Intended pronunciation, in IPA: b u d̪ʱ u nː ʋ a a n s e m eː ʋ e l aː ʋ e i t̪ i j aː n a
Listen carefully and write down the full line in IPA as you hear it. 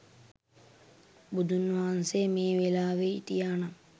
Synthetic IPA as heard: b u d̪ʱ u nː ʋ a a n s e m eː ʋ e l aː ʋ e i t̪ i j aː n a